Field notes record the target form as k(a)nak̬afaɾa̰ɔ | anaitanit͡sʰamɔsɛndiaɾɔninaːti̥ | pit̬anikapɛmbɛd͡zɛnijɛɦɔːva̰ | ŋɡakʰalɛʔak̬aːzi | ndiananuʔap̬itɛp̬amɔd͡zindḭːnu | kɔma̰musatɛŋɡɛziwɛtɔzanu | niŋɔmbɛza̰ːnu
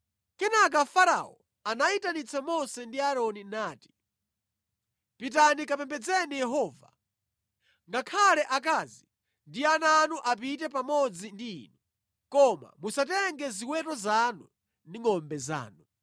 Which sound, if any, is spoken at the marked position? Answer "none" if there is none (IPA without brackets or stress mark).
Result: ɛ